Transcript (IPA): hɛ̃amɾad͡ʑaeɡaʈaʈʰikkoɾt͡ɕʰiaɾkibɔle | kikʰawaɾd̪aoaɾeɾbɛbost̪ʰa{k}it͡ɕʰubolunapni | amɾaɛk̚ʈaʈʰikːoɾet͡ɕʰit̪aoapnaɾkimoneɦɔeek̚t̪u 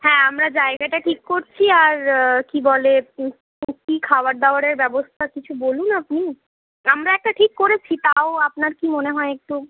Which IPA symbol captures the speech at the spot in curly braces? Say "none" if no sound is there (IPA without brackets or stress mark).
k